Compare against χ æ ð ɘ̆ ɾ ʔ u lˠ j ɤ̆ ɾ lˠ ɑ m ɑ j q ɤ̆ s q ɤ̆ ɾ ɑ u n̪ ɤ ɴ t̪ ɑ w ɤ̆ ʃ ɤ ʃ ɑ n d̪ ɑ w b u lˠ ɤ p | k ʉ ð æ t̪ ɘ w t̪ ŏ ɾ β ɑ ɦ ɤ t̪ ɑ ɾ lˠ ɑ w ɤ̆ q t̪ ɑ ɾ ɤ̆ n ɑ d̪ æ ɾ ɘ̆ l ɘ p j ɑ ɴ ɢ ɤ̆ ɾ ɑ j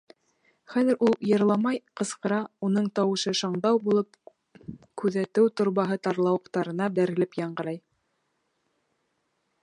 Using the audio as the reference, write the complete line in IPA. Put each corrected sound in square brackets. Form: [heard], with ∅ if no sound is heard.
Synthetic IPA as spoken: χ æ ð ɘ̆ ɾ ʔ u lˠ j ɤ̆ ɾ lˠ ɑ m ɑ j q ɤ̆ s q ɤ̆ ɾ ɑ u n̪ ɤ ɴ t̪ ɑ w ɤ̆ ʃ ɤ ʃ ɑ [ɴ] d̪ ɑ w b u lˠ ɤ p | k ʉ ð æ t̪ ɘ w t̪ ŏ ɾ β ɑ ɦ ɤ t̪ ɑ ɾ lˠ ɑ w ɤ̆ q t̪ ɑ ɾ ɤ̆ n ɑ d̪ æ ɾ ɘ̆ l ɘ p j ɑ ɴ ɢ ɤ̆ ɾ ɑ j